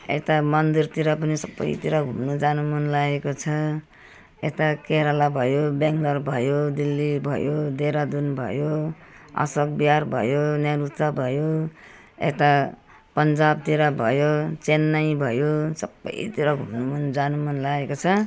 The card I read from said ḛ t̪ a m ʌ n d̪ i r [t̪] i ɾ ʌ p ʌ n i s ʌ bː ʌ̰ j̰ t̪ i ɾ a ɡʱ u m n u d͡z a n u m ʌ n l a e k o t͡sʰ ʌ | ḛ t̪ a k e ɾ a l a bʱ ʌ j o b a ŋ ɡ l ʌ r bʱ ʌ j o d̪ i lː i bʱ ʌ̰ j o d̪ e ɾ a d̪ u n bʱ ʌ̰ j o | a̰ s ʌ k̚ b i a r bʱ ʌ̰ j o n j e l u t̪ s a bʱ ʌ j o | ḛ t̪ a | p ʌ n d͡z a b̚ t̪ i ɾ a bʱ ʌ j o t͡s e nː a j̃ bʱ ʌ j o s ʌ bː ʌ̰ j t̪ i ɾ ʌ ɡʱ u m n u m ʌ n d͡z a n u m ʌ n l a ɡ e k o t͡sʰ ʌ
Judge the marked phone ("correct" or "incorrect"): correct